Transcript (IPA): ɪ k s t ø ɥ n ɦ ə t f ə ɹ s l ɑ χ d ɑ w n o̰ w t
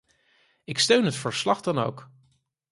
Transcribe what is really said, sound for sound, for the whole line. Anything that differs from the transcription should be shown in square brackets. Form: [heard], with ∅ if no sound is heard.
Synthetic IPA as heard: ɪ k s t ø ɥ n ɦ ə t f ə ɹ s l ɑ χ d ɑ [∅] n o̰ w [k]